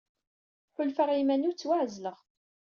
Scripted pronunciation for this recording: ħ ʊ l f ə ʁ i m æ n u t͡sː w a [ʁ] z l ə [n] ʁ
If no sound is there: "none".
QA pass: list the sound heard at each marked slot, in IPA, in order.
ʕ, none

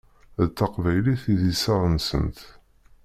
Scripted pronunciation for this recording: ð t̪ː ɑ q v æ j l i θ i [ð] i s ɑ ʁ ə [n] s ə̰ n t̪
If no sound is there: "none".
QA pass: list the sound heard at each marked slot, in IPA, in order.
ð, n

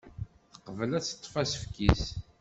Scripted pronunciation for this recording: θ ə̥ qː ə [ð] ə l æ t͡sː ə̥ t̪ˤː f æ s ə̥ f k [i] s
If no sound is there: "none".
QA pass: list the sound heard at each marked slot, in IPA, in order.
v, i

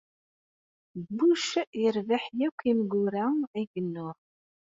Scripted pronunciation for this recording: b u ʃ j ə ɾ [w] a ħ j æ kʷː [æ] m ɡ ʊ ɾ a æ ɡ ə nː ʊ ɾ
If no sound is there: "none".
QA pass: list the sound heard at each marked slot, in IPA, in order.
v, i

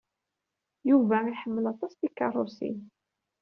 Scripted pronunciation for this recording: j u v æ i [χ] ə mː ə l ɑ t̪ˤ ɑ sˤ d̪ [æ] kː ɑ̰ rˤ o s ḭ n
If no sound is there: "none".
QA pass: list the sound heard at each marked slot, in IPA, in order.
ħ, i

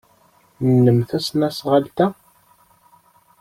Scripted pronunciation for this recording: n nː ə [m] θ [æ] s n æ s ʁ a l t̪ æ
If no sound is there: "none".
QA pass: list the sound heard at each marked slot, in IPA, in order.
m, æ

